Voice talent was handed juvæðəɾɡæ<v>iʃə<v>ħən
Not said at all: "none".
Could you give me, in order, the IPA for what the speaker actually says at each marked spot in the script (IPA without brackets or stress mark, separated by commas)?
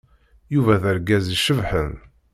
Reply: z, v